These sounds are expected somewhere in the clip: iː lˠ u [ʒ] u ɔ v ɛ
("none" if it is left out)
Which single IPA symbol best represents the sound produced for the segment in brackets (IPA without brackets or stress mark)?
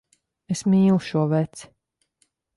ʃ